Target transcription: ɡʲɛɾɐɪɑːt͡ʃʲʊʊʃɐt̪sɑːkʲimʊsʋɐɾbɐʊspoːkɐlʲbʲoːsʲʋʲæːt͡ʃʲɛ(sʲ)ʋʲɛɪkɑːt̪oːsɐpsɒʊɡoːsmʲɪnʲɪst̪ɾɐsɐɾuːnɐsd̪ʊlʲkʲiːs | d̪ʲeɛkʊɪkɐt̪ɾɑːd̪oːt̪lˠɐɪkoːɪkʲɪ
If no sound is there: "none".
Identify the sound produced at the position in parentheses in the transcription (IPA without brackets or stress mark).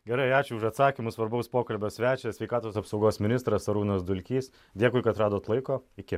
sʲ